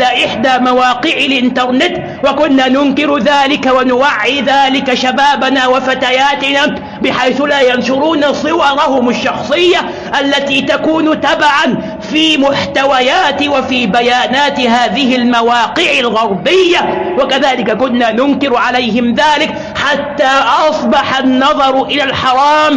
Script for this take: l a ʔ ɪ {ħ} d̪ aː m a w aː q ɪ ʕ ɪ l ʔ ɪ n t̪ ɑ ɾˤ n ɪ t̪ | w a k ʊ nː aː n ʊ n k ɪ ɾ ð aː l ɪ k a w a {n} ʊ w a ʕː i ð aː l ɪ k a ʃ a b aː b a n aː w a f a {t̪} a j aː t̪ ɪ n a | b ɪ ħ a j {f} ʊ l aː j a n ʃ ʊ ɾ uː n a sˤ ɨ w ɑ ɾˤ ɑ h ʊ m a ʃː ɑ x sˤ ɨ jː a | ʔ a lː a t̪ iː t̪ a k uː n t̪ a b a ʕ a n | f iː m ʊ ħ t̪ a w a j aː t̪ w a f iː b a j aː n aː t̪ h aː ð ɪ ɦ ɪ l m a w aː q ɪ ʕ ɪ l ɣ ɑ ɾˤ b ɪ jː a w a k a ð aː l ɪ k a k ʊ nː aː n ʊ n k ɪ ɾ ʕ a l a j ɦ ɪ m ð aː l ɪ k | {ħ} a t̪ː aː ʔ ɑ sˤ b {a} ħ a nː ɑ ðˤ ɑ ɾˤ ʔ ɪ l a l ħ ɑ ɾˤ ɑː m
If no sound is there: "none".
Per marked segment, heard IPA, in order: ħ, n, t̪, θ, ħ, ɑ

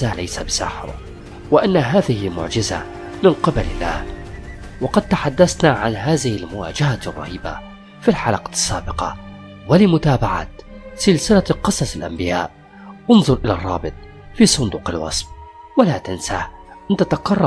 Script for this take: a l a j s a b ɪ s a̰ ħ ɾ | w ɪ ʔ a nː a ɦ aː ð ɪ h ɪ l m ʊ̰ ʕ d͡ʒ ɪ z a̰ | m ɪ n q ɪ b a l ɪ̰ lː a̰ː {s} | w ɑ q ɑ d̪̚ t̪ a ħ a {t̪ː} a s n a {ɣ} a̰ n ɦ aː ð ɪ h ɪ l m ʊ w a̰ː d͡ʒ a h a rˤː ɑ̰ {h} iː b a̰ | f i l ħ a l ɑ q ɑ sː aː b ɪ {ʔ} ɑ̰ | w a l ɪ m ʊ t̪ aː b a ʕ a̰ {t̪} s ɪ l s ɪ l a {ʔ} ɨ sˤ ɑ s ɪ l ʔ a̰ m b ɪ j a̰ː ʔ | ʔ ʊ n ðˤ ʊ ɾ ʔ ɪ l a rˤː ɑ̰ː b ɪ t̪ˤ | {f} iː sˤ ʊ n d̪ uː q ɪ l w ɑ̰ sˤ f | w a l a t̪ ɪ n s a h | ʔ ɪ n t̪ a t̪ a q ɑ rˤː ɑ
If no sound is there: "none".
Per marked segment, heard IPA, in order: h, d̪ː, ʕ, h, q, t̪, q, f

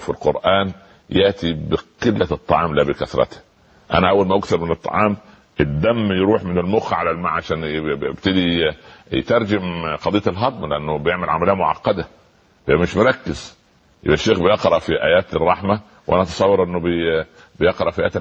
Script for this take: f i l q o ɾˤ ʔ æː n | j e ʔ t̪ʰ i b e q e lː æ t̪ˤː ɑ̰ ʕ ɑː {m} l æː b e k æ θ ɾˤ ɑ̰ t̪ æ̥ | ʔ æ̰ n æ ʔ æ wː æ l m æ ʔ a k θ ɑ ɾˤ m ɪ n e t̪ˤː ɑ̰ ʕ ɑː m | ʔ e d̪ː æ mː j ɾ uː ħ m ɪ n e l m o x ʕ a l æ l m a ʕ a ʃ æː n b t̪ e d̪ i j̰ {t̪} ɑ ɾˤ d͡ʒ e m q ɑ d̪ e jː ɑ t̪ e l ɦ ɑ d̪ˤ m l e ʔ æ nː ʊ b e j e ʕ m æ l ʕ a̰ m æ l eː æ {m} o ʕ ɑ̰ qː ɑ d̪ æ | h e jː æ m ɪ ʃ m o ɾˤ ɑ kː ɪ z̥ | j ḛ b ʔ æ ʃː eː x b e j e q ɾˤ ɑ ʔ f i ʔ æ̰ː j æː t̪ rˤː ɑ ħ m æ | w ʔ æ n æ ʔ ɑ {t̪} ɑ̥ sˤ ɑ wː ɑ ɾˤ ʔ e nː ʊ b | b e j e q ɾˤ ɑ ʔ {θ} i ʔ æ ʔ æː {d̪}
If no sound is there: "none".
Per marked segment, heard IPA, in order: m, t̪, m, t̪, f, t̪

